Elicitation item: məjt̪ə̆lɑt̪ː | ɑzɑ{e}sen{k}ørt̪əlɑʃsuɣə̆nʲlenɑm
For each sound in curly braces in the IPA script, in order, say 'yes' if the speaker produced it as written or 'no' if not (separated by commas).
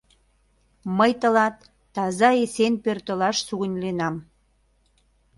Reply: yes, no